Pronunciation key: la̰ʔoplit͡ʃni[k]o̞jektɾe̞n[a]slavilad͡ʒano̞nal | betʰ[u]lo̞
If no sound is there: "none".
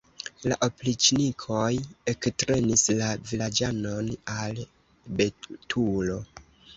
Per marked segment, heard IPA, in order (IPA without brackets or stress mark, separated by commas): kʰ, i, u